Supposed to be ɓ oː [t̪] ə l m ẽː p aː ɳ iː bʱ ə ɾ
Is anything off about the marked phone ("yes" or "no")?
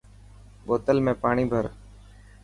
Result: no